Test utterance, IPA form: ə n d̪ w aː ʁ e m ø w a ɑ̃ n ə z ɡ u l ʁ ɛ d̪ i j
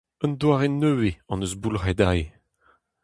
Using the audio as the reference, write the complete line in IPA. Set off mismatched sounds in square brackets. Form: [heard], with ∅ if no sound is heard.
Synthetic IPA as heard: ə n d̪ w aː ʁ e [n] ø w [e] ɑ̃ n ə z [b] u l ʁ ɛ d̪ [a] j